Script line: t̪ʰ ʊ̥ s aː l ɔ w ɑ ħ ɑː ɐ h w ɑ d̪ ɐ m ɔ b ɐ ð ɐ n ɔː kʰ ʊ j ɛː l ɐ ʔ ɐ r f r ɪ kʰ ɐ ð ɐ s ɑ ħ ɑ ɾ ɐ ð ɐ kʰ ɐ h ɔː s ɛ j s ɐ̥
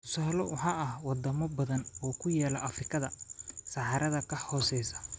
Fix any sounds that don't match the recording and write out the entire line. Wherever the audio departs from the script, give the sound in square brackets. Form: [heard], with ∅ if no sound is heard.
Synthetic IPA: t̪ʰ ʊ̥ s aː l ɔ w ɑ ħ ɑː ɐ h w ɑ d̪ ɐ m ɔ b ɐ ð ɐ n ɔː kʰ ʊ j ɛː l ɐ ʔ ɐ [∅] f r ɪ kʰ ɐ ð ɐ s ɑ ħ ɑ ɾ ɐ ð ɐ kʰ ɐ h ɔː s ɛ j s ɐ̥